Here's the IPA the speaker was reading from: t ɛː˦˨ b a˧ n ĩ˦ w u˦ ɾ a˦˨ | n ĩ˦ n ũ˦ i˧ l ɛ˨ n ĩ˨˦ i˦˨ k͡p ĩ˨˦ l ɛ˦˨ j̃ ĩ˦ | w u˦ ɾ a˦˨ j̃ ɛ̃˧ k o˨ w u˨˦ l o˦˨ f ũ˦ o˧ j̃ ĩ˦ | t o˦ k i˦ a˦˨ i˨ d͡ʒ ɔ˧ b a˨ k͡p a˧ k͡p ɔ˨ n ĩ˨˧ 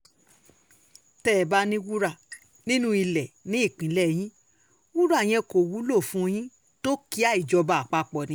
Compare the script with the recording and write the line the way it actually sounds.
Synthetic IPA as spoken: t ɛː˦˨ b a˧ n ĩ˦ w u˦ ɾ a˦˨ | n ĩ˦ n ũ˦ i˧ l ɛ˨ n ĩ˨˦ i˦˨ k͡p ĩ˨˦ l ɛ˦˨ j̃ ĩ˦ | w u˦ ɾ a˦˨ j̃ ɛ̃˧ k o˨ w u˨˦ l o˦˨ f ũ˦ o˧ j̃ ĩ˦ | t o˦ k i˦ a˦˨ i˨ d͡ʒ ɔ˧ b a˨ k͡p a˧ k͡p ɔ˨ n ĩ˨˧

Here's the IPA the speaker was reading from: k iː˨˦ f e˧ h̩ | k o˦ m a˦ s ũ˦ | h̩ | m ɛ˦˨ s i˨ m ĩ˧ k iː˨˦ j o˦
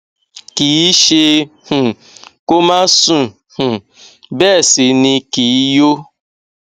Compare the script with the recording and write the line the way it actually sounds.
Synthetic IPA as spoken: k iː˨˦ ʃ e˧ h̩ | k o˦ m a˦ s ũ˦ | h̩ | b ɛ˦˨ s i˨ n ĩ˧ k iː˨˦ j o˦

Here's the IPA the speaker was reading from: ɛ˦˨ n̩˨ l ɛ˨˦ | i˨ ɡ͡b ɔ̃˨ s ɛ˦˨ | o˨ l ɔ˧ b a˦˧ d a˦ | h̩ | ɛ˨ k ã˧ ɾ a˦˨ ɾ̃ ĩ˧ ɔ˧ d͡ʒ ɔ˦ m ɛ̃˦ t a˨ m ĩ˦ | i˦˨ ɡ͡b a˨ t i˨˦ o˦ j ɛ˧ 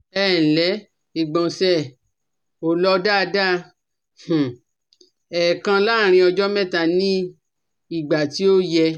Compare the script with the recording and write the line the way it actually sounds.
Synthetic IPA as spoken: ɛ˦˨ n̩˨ l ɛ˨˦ | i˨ ɡ͡b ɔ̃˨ s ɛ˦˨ | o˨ l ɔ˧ d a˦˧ d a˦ | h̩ | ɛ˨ k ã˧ l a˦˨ ɾ̃ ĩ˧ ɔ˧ d͡ʒ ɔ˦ m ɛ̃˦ t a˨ n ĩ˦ | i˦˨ ɡ͡b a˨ t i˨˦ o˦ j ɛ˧

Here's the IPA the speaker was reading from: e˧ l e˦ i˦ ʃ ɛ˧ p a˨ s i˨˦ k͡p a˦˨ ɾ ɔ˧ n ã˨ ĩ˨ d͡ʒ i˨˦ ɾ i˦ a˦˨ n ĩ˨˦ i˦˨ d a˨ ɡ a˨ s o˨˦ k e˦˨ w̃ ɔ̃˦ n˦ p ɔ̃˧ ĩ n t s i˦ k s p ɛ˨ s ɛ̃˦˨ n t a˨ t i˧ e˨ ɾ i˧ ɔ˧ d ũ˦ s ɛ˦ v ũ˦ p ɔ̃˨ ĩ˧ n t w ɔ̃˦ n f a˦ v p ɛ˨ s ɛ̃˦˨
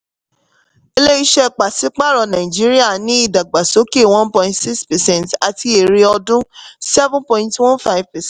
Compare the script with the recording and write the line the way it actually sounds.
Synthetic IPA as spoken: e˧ l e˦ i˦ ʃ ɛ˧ k͡p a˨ s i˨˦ k͡p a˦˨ ɾ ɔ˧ n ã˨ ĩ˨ d͡ʒ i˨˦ ɾ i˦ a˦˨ n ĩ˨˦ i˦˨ d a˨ ɡ͡b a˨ s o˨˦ k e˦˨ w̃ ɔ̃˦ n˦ p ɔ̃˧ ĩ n t s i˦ k s p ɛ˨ s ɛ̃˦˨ n t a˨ t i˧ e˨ ɾ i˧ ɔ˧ d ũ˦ s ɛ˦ v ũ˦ p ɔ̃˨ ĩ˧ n t w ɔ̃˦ n f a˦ v p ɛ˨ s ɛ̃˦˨

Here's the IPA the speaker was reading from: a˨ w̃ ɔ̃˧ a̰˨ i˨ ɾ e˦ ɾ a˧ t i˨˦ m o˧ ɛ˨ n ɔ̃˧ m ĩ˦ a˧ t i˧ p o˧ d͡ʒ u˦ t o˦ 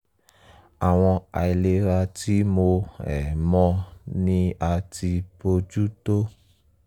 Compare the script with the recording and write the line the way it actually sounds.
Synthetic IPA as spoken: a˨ w̃ ɔ̃˧ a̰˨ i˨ l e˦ ɾ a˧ t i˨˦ m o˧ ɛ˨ m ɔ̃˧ n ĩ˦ a˧ t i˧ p o˧ d͡ʒ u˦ t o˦

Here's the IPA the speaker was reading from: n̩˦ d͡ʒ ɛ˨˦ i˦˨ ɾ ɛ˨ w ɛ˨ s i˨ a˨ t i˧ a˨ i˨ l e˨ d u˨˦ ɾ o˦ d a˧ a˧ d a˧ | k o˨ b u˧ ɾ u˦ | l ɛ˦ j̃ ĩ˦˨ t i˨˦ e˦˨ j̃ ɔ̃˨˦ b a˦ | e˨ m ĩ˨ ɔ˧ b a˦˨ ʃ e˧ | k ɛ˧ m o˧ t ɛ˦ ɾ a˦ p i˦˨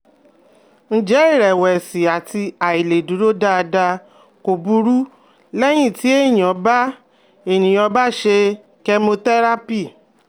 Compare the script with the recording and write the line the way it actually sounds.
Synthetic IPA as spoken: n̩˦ d͡ʒ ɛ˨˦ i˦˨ ɾ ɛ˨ w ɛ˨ s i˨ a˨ t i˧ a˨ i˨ l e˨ d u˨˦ ɾ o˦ d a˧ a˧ d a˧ | k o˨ b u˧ ɾ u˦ | l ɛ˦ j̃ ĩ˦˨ t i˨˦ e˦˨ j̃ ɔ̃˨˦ b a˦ | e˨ n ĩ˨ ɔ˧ b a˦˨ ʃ e˧ | k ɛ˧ m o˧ t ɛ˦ ɾ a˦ p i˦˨

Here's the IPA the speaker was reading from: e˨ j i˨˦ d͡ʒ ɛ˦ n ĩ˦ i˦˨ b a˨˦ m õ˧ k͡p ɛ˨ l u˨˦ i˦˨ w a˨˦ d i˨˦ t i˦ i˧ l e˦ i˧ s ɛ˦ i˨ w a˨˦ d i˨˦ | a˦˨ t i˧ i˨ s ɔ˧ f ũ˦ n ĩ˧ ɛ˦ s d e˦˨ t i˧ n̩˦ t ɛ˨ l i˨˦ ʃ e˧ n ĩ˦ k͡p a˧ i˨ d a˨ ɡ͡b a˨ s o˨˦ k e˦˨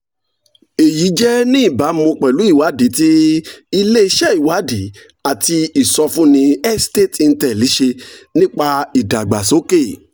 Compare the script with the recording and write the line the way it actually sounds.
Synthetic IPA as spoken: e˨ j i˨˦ d͡ʒ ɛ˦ n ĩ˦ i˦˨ b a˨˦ m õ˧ k͡p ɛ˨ l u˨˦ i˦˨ w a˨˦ d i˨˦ t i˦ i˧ l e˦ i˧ ʃ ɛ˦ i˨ w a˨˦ d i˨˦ | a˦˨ t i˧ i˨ s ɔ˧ f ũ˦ n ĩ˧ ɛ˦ s t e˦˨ t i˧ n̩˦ t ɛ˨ l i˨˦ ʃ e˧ n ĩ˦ k͡p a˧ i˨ d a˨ ɡ͡b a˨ s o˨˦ k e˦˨

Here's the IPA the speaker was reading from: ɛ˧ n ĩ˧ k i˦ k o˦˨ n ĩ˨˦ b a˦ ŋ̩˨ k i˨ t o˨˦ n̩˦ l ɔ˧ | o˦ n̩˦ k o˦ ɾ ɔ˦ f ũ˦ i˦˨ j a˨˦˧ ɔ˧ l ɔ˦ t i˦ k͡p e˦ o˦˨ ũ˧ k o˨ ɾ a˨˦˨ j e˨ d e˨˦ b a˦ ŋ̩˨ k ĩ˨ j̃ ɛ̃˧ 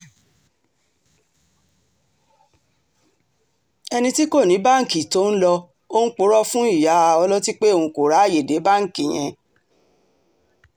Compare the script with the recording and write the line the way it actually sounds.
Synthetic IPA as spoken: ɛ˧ n ĩ˧ t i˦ k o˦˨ n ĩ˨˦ b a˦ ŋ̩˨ k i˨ t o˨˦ n̩˦ l ɔ˧ | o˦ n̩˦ k͡p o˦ ɾ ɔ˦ f ũ˦ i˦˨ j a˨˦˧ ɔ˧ l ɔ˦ t i˦ k͡p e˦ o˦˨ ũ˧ k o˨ ɾ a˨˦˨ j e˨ d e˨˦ b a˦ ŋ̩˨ k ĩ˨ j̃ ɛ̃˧

